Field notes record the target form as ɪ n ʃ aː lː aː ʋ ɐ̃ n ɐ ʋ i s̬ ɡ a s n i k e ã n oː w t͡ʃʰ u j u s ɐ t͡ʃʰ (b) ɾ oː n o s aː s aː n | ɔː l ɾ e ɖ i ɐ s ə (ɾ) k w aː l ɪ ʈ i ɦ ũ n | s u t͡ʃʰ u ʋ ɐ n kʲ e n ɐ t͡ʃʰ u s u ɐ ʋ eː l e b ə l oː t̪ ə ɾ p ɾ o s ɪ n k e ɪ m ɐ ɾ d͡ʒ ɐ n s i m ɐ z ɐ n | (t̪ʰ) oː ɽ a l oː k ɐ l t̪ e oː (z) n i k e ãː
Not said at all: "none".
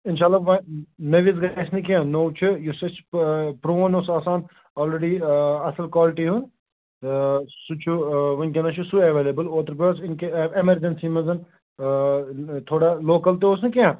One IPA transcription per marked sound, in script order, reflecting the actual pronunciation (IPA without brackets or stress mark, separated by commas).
p, l, t̪ʰ, s